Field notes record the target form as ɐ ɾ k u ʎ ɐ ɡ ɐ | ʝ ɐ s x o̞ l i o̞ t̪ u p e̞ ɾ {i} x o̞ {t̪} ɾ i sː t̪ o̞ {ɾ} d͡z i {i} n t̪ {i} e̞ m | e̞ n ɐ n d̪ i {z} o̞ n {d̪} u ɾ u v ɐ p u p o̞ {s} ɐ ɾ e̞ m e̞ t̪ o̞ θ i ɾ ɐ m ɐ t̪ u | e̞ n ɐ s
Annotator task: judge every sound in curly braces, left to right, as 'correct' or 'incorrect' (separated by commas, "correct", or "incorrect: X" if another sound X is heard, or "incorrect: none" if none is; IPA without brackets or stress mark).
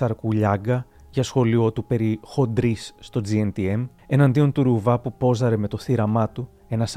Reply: correct, incorrect: d̪, incorrect: none, incorrect: e, correct, incorrect: none, incorrect: t̪, incorrect: z